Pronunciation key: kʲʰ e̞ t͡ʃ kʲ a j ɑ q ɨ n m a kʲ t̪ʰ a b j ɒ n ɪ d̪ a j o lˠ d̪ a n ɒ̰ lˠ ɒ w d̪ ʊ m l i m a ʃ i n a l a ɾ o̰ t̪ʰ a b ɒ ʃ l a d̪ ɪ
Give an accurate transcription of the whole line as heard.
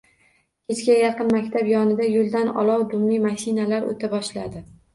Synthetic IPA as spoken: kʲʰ e̞ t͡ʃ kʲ a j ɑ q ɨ n m a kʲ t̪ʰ a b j ɒ n ɪ d̪ a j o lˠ d̪ a n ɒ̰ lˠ ɒ w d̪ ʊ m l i m a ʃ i n a l a ɾ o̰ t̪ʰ a b ɒ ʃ l a d̪ ɪ